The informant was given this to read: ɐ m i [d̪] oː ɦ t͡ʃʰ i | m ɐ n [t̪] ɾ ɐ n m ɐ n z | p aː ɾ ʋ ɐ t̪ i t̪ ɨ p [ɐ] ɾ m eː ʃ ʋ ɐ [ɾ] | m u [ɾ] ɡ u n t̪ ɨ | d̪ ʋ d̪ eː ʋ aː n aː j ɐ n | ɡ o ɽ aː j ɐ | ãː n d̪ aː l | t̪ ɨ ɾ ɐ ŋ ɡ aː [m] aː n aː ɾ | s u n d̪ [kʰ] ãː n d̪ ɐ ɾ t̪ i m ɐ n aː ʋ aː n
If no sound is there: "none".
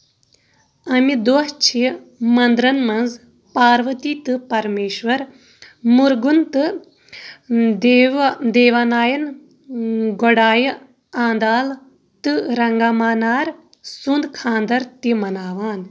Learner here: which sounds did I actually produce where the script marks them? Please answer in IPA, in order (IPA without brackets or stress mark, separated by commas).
d̪, d̪, ɐ, ɾ, ɾ, m, kʰ